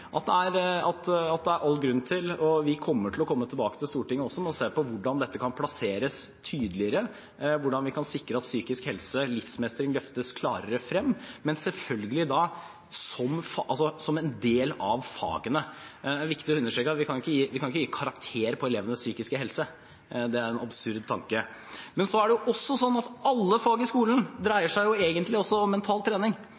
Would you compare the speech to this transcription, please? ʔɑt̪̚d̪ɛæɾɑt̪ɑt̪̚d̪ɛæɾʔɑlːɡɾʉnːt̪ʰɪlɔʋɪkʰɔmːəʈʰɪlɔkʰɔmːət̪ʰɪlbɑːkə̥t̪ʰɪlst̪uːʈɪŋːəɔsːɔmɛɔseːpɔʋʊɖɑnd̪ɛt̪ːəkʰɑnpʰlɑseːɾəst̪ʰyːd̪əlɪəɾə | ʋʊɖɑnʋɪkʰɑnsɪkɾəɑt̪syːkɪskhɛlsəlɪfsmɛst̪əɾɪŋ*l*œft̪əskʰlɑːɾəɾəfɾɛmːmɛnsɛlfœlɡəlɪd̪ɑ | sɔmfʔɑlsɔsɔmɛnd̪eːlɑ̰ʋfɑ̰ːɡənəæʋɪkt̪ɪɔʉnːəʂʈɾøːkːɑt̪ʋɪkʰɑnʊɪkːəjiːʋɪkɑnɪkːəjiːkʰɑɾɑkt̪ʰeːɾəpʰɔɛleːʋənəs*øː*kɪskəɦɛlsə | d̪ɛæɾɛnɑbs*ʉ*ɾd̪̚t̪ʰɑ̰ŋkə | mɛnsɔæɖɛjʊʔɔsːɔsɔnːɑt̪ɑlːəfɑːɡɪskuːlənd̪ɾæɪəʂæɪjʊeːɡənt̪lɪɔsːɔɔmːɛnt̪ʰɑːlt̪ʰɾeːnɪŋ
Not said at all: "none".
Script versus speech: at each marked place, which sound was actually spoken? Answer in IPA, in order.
l, yː, ʉ

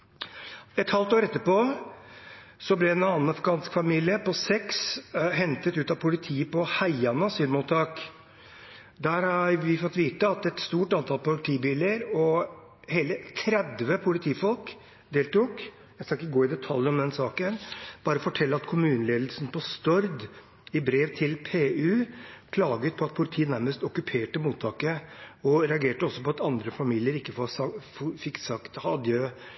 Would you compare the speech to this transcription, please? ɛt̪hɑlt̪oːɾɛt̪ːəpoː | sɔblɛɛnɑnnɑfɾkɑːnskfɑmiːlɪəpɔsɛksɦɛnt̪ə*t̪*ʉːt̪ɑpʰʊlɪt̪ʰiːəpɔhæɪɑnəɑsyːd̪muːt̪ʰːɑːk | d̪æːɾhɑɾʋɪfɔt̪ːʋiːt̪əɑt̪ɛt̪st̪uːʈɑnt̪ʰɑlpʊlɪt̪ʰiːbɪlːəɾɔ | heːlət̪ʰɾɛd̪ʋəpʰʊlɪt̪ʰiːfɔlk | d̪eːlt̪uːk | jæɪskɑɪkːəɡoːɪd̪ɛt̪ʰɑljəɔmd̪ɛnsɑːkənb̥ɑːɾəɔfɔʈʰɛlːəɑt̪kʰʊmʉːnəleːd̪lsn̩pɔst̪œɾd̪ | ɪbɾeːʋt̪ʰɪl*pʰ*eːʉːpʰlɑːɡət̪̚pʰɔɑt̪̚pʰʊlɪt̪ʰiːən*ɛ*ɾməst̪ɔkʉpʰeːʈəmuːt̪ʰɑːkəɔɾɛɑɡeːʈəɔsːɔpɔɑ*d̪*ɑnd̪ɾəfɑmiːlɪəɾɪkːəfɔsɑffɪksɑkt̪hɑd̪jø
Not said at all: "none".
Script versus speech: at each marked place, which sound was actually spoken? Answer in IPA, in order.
t̪, pʰ, æ, t̪

